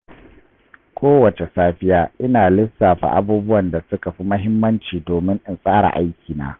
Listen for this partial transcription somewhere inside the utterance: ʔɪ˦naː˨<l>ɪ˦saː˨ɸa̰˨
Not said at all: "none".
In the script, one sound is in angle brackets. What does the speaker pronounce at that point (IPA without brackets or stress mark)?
l